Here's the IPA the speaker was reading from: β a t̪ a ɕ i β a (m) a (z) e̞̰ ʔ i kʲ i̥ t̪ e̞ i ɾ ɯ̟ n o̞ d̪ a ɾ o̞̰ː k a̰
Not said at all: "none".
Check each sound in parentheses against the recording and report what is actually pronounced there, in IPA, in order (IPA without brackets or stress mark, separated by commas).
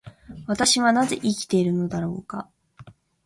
n, z